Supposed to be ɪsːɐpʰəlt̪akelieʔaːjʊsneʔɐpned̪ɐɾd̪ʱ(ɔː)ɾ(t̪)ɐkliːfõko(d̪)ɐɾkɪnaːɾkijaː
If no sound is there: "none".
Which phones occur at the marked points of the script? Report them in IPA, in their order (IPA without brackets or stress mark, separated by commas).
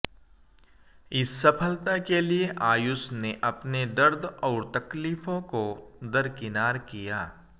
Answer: ɔː, t̪, d̪